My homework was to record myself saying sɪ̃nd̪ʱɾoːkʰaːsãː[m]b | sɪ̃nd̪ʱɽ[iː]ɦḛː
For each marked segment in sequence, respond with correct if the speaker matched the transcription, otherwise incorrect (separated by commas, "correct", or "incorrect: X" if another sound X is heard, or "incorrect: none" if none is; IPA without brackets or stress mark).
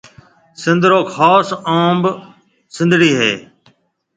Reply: correct, correct